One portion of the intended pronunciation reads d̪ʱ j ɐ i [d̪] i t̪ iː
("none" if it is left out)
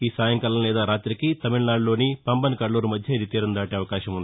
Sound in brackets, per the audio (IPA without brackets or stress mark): d̪